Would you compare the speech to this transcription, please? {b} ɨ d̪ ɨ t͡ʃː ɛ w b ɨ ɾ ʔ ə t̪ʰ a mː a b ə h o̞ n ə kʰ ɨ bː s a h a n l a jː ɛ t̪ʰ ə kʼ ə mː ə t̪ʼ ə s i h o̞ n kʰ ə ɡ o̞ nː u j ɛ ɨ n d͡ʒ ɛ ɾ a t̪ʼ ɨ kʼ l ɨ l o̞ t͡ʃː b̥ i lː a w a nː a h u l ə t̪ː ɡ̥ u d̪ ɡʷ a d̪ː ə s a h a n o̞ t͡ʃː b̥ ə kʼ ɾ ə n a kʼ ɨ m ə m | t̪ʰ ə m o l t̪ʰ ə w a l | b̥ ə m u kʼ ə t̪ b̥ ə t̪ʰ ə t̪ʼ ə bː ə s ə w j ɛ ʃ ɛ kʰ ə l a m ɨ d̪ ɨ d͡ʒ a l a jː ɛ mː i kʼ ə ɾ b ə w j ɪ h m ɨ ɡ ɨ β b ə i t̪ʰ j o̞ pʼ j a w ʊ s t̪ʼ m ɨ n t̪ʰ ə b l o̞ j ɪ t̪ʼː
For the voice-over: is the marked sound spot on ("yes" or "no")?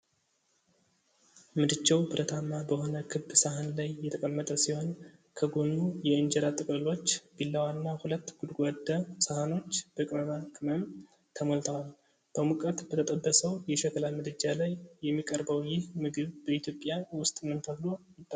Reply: no